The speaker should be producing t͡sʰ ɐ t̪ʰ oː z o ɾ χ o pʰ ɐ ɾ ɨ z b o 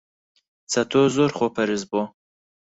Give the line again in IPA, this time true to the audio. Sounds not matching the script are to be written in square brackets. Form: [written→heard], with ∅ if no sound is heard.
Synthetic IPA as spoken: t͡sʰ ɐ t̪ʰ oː z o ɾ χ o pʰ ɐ ɾ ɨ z b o